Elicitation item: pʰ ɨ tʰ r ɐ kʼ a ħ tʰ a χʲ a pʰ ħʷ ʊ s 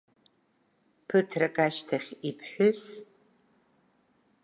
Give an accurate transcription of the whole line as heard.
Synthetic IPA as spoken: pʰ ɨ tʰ r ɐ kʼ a ʃ tʰ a χʲ i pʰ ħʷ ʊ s